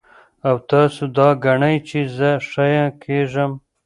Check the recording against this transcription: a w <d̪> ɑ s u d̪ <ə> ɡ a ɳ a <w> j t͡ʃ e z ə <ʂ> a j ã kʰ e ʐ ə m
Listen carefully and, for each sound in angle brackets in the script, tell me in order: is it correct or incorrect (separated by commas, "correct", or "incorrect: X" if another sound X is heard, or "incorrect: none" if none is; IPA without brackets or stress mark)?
incorrect: t̪, incorrect: ɑ, incorrect: none, correct